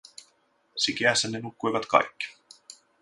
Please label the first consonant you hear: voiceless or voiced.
voiceless